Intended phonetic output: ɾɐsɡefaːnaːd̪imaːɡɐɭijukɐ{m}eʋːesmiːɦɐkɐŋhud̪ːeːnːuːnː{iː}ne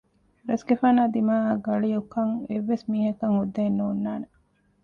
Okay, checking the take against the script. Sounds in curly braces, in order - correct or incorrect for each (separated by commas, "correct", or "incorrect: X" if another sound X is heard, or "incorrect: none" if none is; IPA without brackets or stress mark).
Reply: incorrect: ŋ, incorrect: aː